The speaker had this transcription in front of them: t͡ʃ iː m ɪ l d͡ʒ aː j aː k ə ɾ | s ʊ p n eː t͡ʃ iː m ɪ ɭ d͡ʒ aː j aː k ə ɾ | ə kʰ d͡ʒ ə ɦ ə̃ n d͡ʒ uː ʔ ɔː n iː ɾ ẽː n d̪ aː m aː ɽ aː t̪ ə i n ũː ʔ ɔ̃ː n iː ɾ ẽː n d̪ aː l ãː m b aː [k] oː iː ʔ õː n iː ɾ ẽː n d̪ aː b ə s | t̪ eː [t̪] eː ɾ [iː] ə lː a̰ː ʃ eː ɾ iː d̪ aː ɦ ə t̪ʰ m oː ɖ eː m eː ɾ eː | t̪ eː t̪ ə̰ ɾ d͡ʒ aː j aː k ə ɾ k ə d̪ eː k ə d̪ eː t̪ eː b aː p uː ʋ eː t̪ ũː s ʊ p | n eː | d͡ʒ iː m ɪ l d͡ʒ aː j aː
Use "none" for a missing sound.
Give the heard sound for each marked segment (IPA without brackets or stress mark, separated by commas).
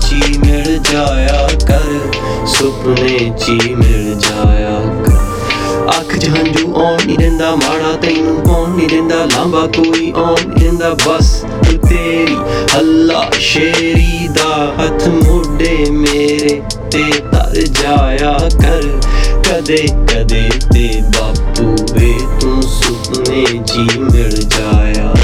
k, t̪, iː